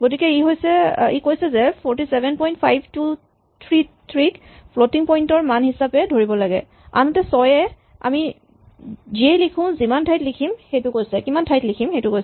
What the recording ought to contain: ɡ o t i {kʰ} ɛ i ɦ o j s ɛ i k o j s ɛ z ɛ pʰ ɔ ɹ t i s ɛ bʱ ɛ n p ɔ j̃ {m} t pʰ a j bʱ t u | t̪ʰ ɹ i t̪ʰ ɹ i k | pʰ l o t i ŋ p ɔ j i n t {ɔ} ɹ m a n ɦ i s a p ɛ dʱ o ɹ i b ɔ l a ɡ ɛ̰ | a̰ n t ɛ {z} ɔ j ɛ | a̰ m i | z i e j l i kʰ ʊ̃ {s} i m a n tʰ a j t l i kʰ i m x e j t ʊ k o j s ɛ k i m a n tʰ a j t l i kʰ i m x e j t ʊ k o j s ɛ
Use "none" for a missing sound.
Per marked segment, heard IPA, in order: k, n, ɔ, s, z

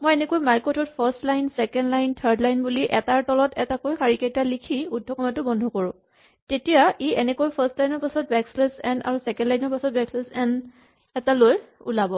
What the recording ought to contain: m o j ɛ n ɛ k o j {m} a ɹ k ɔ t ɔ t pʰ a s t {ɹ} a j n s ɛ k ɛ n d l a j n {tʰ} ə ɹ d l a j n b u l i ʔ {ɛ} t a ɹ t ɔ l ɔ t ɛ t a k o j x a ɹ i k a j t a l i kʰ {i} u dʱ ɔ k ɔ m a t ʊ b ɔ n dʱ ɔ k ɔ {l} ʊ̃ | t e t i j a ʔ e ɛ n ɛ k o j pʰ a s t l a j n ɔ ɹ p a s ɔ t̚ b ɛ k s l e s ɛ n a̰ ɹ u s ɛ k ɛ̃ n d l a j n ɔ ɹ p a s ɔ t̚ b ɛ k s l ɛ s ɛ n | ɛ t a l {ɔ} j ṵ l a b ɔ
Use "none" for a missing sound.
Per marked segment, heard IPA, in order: m, l, tʰ, ɛ, i, ɹ, o

